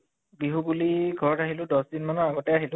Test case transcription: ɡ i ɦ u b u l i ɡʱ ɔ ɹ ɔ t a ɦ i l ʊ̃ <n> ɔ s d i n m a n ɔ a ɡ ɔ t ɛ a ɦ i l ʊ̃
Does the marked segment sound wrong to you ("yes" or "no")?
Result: yes